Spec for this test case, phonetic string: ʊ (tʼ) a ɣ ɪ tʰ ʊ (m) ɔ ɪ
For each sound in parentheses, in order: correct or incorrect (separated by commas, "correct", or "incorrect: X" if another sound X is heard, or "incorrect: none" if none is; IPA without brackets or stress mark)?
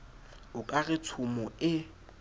incorrect: kʼ, correct